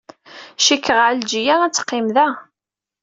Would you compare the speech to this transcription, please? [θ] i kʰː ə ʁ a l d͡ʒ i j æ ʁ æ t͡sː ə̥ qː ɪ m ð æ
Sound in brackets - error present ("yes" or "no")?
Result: yes